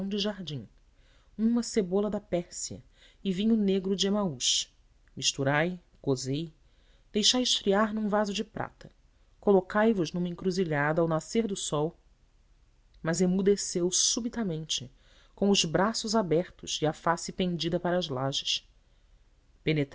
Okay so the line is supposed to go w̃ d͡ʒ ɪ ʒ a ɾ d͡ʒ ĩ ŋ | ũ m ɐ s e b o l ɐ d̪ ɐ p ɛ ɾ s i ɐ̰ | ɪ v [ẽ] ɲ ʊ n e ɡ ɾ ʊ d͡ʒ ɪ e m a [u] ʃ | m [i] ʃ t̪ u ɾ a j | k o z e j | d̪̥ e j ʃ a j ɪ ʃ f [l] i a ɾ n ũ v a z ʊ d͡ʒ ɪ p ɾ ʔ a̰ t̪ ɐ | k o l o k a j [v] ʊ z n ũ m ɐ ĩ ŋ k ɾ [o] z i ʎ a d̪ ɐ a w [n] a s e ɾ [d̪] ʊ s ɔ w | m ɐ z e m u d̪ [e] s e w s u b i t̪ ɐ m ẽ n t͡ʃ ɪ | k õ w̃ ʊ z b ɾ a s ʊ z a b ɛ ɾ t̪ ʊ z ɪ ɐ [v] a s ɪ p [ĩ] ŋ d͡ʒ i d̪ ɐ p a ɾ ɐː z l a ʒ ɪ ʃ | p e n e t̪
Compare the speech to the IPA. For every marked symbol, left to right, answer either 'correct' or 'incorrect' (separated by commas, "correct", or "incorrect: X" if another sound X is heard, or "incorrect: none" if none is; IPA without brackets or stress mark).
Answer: incorrect: ĩ, correct, correct, incorrect: ɾ, correct, incorrect: u, correct, correct, correct, incorrect: f, incorrect: ẽ